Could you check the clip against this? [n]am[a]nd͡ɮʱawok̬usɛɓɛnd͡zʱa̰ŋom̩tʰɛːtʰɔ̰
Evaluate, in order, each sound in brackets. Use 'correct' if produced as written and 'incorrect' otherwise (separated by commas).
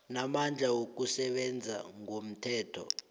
correct, correct